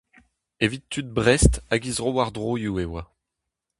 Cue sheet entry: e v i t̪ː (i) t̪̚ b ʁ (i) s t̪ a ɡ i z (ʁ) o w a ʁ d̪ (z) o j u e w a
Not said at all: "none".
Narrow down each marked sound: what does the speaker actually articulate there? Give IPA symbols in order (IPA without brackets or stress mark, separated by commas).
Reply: y, ɛ, ʁ, ʁ